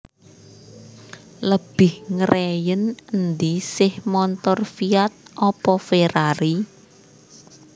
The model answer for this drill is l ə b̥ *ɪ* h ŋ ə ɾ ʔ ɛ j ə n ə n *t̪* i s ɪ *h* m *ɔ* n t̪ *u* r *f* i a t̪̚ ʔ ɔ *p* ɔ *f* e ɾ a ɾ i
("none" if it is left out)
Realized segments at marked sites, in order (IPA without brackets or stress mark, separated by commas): ɪ, d̪, h, ɔ, ɔ, f, p, f